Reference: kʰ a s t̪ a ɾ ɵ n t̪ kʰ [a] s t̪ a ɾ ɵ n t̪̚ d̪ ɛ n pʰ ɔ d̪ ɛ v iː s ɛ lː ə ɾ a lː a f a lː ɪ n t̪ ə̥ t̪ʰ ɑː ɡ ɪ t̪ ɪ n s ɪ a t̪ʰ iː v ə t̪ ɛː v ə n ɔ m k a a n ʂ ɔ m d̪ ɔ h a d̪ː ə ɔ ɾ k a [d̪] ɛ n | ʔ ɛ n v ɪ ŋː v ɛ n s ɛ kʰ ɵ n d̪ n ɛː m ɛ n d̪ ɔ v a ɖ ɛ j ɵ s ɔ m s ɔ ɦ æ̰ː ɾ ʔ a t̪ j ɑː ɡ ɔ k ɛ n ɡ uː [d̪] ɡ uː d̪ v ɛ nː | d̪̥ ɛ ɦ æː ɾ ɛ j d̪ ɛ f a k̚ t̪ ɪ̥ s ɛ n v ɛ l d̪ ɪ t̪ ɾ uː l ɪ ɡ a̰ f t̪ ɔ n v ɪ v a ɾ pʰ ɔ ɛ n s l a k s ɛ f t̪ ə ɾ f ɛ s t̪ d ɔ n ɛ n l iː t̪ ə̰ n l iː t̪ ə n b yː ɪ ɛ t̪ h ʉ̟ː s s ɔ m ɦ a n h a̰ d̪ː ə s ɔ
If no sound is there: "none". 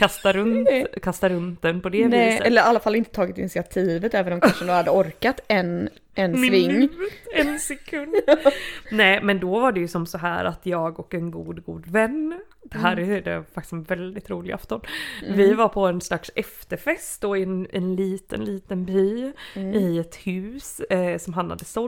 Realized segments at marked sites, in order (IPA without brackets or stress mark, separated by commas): a, t̪, d̪